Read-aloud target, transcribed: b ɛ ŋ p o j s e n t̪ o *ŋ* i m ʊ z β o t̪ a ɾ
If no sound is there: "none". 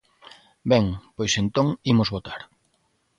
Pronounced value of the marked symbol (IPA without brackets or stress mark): ŋ